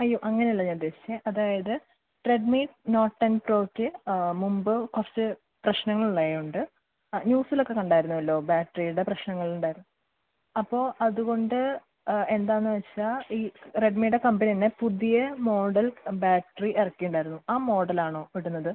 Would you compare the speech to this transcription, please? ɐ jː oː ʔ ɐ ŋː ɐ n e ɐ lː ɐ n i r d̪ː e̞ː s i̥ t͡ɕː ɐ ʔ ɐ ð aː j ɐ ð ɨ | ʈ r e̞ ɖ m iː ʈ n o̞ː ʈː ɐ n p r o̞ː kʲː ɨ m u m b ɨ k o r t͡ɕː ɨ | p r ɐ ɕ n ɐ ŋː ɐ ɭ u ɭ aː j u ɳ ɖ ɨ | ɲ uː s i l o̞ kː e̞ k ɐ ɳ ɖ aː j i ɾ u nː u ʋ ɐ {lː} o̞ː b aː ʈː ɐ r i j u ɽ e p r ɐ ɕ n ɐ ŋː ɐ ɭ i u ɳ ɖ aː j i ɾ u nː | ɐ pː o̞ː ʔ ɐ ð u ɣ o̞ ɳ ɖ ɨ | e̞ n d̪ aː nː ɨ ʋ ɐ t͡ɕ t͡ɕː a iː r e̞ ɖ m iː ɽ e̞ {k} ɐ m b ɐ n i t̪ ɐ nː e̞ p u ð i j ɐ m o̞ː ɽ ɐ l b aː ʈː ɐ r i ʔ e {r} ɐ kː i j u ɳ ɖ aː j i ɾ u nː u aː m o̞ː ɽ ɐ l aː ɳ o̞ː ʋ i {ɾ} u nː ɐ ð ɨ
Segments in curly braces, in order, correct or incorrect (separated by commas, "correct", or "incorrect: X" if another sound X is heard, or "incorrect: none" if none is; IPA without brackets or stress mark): correct, correct, correct, incorrect: ɽ